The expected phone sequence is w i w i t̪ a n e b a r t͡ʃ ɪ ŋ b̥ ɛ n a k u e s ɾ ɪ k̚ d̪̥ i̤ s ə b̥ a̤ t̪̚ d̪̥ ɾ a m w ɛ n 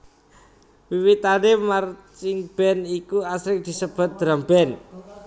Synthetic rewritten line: w i w i t̪ a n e m a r t͡ʃ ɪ ŋ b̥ ɛ n i k u a s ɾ ɪ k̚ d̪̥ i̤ s ə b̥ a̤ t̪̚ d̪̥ ɾ a m b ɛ n